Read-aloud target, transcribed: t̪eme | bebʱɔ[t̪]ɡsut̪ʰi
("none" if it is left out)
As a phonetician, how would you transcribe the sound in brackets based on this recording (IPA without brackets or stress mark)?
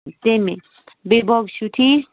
none